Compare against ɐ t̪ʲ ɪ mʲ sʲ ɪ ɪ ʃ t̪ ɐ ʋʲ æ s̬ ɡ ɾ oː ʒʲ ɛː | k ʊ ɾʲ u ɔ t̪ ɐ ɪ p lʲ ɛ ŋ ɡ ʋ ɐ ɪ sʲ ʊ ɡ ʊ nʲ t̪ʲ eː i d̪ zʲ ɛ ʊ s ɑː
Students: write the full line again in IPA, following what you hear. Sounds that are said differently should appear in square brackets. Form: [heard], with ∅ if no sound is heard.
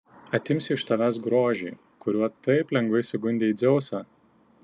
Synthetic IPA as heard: ɐ t̪ʲ ɪ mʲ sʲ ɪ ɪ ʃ t̪ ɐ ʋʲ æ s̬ ɡ ɾ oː ʒʲ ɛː | k ʊ ɾʲ u ɔ t̪ ɐ ɪ p lʲ ɛ ŋ ɡ ʋ ɐ ɪ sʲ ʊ ɡ ʊ nʲ [d̪ʲ] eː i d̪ zʲ ɛ ʊ s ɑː